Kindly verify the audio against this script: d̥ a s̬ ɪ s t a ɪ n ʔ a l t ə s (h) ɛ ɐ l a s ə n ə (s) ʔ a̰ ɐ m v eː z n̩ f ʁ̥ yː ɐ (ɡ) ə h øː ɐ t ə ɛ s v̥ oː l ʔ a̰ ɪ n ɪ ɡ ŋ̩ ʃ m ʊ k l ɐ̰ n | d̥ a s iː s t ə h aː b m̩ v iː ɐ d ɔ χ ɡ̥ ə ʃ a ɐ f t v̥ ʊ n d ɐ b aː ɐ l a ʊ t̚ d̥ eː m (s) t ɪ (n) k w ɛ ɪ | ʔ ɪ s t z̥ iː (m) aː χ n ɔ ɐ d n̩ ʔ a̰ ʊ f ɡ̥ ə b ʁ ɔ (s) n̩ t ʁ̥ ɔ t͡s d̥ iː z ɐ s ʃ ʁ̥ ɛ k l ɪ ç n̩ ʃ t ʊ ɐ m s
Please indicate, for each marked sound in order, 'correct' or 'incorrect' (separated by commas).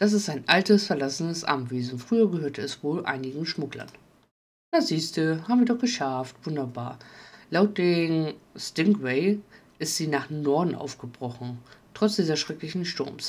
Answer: incorrect, correct, correct, correct, incorrect, incorrect, incorrect